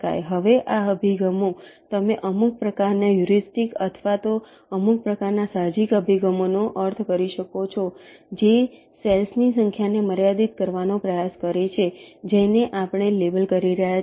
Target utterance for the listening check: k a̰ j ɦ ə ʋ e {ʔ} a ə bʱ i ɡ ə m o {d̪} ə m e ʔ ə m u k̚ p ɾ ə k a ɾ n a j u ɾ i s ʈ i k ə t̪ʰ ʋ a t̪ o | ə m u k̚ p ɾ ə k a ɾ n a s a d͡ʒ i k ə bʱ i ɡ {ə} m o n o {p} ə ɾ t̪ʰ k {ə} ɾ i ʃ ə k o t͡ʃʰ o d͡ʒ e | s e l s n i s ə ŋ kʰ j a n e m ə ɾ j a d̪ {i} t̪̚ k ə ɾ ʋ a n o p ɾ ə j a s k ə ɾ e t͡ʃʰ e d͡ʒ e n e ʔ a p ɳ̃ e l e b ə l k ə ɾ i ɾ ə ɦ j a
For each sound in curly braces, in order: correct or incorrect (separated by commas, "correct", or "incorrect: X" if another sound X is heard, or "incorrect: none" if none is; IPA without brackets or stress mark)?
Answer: correct, incorrect: t̪, correct, incorrect: ʔ, correct, correct